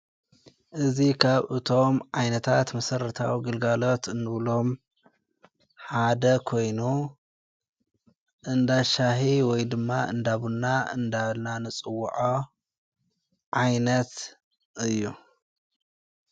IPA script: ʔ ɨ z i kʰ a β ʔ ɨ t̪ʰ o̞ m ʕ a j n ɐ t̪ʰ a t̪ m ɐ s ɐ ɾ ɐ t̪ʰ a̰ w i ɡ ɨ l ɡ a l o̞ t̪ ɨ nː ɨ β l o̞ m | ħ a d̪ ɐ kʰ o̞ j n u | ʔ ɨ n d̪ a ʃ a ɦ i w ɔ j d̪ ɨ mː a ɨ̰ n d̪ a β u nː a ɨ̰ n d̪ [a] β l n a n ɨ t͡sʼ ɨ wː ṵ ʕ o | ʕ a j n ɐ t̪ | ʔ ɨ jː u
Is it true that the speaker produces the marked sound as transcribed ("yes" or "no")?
yes